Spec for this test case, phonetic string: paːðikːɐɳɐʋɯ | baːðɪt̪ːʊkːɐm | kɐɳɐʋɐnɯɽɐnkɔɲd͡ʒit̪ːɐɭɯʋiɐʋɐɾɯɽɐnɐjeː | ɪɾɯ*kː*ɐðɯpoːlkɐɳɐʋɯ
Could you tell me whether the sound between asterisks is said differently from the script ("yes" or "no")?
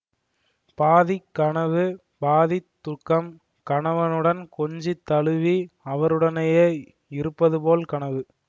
yes